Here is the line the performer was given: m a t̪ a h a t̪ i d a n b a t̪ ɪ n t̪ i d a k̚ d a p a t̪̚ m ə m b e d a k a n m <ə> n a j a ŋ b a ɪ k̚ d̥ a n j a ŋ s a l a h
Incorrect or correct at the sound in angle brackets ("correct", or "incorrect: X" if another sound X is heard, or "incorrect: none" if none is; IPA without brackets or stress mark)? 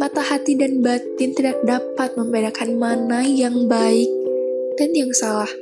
incorrect: a